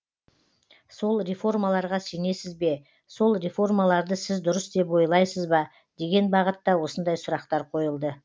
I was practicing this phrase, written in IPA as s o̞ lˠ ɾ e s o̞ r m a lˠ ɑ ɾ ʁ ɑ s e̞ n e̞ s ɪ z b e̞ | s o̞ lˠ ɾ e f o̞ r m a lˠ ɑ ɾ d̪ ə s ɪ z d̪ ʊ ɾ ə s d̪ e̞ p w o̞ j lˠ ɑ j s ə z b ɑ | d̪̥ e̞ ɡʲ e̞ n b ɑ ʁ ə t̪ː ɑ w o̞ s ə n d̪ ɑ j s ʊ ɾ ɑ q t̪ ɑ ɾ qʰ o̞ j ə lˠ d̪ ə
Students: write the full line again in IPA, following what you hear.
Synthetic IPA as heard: s o̞ lˠ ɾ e f o̞ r m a lˠ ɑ ɾ ʁ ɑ s e̞ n e̞ s ɪ z b e̞ | s o̞ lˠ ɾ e f o̞ r m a lˠ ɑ ɾ d̪ ə s ɪ z d̪ ʊ ɾ ə s d̪ e̞ p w o̞ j lˠ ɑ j s ə z b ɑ | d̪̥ e̞ ɡʲ e̞ n b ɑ ʁ ə t̪ː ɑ w o̞ s ə n d̪ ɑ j s ʊ ɾ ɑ q t̪ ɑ ɾ qʰ o̞ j ə lˠ d̪ ə